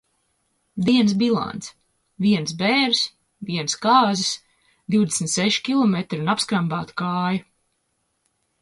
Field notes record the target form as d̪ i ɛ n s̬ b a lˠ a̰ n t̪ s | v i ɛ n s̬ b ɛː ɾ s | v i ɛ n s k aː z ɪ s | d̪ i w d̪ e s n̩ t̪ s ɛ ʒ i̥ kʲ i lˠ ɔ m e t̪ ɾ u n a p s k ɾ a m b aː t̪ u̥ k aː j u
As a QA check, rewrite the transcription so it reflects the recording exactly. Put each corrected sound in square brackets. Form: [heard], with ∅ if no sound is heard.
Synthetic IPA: d̪ i ɛ n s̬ b [i] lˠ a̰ n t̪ s | v i ɛ n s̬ b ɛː ɾ s | v i ɛ n s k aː z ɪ s | d̪ i w d̪ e s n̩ t̪ s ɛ [ʃ] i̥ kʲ i lˠ ɔ m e t̪ ɾ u n a p s k ɾ a m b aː t̪ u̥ k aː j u